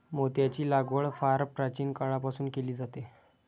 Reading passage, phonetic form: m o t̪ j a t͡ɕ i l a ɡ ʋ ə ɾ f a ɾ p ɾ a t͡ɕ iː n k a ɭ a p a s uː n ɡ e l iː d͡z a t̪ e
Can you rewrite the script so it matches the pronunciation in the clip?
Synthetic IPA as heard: m o t̪ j a t͡ɕ iː l a ɡ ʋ ə ɭ f a ɾ p ɾ a t͡ɕ iː n k a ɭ a p a s uː n k e l iː d͡z a t̪ e